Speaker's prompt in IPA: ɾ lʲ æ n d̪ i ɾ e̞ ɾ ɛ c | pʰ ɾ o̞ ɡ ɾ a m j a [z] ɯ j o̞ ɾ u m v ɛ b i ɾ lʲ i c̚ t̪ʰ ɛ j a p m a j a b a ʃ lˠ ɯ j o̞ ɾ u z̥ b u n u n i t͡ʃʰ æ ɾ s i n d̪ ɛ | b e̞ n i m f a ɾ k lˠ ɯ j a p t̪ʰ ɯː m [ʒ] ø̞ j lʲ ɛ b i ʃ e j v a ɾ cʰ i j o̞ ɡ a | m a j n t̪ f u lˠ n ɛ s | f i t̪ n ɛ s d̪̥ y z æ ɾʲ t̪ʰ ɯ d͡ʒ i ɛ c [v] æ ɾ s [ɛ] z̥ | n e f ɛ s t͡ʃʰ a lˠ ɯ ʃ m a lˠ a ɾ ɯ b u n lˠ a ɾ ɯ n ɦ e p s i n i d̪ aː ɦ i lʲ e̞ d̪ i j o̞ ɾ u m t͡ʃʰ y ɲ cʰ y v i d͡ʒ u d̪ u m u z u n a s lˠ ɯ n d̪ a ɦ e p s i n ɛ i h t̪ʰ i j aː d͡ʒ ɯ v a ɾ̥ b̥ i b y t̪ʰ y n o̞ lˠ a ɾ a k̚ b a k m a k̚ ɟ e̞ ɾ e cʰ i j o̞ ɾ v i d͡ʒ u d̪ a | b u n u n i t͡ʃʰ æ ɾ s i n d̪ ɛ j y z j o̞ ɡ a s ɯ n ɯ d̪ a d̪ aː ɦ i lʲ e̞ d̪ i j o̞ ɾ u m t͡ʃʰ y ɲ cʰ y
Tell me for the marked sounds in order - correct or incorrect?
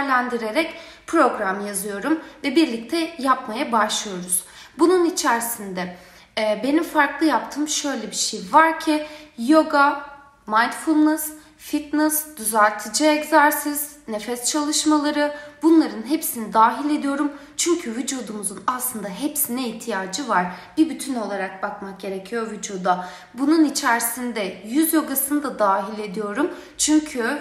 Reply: correct, incorrect, incorrect, incorrect

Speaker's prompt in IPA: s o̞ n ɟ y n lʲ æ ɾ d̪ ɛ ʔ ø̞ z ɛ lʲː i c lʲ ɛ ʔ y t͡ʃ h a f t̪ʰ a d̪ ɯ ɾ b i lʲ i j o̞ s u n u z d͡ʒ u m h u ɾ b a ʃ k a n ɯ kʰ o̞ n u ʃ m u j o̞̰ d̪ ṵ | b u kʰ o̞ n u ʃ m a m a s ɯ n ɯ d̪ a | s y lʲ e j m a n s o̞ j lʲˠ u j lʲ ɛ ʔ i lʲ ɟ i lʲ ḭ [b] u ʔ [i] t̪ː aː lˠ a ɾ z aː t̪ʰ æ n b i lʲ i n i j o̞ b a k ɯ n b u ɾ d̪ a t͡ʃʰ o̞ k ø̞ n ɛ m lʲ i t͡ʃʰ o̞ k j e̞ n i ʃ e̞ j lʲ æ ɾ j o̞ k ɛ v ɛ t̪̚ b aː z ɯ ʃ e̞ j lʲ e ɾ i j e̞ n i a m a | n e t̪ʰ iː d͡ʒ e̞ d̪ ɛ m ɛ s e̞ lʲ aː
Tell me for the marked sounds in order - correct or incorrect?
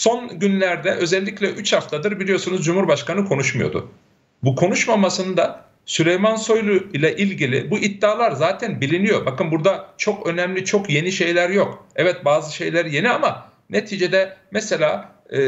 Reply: correct, correct

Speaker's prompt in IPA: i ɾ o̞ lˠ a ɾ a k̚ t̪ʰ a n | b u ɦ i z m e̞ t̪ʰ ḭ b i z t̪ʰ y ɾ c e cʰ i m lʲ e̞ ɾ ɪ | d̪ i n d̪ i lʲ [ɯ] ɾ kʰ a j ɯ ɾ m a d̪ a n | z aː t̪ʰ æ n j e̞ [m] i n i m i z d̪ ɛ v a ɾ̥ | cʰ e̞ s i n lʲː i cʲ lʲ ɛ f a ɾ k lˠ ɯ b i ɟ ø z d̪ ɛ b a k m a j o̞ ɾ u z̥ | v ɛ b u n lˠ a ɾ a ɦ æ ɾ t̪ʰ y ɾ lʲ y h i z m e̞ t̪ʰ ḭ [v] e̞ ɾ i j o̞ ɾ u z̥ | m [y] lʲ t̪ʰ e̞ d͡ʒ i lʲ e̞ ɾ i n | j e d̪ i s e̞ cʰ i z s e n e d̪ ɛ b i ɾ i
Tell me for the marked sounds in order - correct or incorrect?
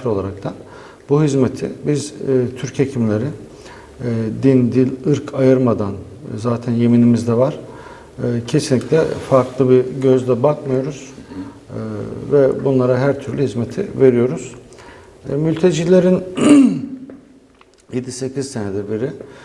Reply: correct, correct, correct, correct

